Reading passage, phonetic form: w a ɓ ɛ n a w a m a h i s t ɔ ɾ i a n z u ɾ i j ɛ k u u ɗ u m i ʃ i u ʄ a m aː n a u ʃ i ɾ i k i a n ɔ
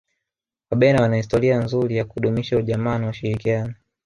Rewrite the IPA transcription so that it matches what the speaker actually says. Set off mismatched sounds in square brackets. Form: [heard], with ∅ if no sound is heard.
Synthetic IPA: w a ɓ ɛ n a w a [n] a h i s t ɔ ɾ i a n z u ɾ i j [a] k u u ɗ u m i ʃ [a] u ʄ a m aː n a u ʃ i ɾ i k i a n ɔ